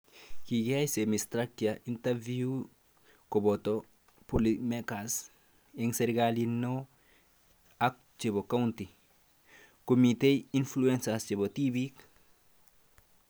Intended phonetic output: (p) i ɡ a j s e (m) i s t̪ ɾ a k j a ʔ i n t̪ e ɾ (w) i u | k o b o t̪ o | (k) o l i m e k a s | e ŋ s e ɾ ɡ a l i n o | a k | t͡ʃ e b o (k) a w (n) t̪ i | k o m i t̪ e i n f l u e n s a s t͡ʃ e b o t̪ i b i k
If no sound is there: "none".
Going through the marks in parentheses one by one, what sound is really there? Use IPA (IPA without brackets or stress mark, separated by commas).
k, m, v, p, k, n